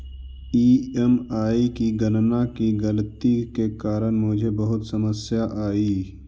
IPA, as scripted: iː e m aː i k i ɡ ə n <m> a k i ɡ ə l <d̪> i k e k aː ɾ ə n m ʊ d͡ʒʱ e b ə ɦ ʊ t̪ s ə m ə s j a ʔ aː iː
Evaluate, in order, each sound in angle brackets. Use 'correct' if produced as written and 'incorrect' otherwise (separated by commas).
incorrect, incorrect